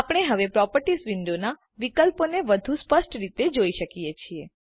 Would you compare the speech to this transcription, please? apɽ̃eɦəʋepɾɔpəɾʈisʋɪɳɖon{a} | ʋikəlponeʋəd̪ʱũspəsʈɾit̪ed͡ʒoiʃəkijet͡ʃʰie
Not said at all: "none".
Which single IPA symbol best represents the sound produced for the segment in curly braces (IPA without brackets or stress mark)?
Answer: a